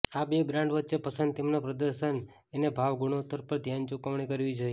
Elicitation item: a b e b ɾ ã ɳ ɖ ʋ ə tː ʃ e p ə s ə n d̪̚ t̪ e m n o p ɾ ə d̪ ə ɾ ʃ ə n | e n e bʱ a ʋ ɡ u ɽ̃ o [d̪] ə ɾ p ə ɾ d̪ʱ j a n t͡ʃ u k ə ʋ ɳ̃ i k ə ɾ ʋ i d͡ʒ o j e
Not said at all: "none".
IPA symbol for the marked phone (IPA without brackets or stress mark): t̪